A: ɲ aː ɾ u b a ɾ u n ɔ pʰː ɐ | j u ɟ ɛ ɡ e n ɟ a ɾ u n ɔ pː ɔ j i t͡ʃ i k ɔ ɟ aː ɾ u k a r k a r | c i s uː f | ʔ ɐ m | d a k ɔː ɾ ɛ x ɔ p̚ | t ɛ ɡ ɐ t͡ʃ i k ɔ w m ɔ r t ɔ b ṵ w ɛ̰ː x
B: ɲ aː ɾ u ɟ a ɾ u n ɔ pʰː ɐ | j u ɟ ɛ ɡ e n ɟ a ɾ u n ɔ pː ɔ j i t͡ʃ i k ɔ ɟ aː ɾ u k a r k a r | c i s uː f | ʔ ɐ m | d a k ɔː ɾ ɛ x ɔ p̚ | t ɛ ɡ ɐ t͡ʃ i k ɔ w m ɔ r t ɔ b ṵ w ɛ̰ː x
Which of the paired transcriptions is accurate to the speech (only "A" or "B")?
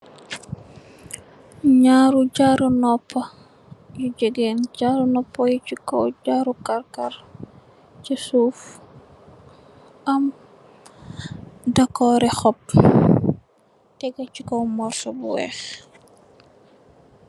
B